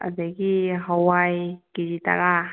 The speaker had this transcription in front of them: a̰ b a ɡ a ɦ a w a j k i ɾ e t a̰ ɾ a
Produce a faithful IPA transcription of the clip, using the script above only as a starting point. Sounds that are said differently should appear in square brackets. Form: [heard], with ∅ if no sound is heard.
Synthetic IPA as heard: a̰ [d] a ɡ [i] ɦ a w a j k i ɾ [i] t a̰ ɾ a